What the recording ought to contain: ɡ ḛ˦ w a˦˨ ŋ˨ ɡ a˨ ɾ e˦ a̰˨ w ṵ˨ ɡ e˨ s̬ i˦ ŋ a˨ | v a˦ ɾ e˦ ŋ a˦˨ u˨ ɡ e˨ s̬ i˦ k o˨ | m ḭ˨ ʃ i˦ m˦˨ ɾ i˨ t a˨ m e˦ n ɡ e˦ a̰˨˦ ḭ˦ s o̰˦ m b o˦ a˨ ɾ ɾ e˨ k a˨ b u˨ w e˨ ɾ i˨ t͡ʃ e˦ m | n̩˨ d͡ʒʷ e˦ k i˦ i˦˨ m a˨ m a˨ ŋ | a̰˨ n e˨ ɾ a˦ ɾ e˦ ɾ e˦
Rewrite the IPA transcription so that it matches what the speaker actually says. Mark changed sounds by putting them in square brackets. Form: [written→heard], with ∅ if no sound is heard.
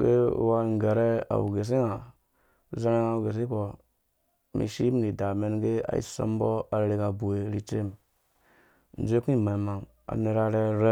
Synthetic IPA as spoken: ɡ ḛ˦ w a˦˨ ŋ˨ ɡ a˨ ɾ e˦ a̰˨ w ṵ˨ ɡ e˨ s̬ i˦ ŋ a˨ | [v→z] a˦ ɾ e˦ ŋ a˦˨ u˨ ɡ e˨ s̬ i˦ k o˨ | m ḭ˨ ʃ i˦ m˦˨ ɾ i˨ [t→d] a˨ m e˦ n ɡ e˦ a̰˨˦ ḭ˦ s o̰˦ m b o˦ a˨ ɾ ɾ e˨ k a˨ b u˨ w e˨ ɾ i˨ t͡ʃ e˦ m | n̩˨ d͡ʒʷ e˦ k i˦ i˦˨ m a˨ m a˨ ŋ | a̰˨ n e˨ ɾ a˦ ɾ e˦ ɾ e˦